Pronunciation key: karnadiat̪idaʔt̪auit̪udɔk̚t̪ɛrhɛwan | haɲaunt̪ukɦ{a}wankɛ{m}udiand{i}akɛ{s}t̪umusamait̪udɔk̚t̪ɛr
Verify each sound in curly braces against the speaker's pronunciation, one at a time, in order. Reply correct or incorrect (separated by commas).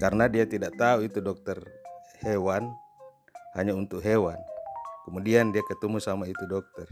incorrect, correct, correct, incorrect